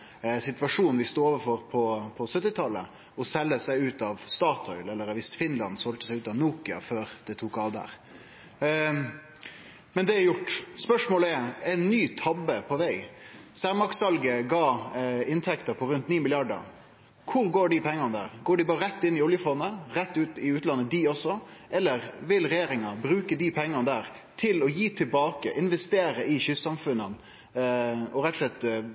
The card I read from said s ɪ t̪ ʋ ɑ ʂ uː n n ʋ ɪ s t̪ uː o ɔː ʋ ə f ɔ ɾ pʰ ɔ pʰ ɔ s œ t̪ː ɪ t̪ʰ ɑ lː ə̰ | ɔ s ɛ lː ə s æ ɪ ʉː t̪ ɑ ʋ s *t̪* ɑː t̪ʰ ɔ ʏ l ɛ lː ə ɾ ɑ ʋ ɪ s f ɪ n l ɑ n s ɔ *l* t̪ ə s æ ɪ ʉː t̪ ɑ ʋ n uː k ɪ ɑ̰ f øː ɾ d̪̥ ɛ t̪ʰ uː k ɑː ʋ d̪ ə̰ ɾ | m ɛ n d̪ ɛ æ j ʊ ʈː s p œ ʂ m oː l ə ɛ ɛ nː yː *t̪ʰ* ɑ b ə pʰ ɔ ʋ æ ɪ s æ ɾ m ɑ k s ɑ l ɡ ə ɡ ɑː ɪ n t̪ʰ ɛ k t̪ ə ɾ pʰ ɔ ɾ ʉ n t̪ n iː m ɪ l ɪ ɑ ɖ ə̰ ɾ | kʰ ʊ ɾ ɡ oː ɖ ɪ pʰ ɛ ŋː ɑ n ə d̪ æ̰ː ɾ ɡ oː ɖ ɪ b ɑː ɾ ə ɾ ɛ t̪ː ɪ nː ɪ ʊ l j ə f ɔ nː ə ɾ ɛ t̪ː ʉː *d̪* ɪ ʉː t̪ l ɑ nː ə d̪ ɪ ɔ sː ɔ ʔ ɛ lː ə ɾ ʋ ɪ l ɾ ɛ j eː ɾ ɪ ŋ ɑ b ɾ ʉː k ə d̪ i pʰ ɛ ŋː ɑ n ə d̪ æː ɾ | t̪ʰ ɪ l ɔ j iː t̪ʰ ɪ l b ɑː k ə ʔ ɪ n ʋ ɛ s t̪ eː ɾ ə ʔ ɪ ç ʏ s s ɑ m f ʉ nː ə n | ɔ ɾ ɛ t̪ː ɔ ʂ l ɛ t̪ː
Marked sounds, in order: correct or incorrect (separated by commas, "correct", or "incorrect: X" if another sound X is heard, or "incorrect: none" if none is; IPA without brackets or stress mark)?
correct, correct, correct, incorrect: t̪